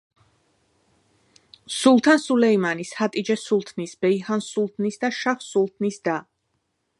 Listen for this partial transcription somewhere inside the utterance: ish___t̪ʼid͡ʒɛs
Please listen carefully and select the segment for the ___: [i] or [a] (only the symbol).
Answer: a